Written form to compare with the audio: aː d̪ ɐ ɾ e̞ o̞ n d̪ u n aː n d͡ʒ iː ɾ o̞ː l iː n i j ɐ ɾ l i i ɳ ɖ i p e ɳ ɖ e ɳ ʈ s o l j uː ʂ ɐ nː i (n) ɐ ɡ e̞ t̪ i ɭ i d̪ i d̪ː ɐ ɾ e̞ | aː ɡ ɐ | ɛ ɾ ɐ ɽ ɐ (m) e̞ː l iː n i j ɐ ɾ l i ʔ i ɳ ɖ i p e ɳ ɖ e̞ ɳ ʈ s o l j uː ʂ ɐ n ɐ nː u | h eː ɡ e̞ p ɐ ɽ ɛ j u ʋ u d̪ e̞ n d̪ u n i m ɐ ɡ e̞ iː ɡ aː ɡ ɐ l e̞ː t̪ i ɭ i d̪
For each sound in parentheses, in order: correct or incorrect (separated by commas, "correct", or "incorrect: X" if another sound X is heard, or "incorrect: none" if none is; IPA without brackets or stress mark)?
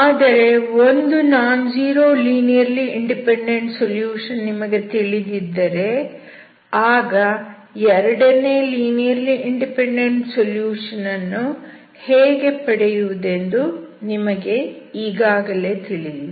incorrect: m, incorrect: n